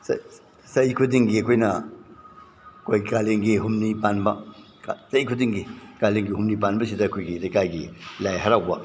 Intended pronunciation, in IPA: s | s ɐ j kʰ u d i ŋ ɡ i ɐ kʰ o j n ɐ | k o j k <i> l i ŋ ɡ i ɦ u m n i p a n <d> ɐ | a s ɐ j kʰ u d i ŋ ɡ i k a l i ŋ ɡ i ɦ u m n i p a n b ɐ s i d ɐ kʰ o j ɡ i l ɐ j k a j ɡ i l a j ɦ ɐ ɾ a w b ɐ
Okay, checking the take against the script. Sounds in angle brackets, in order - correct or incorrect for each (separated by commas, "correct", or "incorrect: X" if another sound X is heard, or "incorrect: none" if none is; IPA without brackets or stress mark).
incorrect: a, incorrect: b